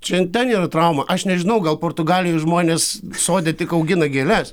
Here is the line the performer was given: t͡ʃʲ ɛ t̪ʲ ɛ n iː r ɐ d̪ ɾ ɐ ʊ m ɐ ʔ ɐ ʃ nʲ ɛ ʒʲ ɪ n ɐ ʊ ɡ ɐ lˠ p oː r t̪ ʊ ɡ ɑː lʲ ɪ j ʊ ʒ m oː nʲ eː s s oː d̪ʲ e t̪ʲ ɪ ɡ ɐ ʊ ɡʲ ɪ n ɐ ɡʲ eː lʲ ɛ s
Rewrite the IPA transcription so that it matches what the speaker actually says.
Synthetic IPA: t͡ʃʲ ɛ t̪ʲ ɛ n iː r ɐ t̪ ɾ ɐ ʊ m ɐ ʔ ɐ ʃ nʲ ɛ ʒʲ ɪ n ɐ ʊ ɡ ɐ lˠ p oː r t̪ ʊ ɡ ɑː lʲ ɪ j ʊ ʒ m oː nʲ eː s s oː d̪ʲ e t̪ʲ ɪ k ɐ ʊ ɡʲ ɪ n ɐ ɡʲ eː lʲ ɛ s